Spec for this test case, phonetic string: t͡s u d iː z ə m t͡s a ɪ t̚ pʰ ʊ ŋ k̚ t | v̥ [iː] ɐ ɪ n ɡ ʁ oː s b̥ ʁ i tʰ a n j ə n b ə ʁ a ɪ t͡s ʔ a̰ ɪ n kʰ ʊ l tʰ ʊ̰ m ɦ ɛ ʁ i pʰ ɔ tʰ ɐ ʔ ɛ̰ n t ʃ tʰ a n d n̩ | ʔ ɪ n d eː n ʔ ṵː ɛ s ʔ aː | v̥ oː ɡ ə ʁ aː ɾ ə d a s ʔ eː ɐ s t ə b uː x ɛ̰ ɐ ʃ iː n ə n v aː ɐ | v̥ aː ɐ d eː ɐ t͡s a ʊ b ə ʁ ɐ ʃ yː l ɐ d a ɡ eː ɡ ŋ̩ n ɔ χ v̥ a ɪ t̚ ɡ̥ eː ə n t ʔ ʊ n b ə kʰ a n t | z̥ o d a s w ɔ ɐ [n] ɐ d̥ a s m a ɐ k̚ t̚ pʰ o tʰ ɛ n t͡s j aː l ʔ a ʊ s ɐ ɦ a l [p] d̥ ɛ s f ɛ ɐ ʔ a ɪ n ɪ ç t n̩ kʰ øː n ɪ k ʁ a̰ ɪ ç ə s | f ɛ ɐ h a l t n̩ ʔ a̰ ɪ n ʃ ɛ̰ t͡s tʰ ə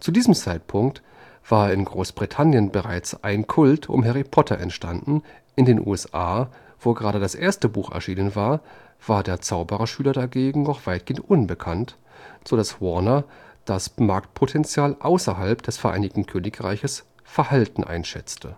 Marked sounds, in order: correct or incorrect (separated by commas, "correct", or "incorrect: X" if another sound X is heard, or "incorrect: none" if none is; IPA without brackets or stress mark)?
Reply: incorrect: aː, correct, correct